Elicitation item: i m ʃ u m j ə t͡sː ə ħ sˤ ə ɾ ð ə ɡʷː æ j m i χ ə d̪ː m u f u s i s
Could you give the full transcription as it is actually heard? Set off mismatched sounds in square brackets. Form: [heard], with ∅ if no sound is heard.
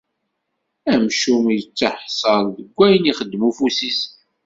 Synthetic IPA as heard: [æ] m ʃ u m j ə t͡sː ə ħ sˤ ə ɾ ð ə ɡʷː æ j [n] i χ ə d̪ː m u f u s i s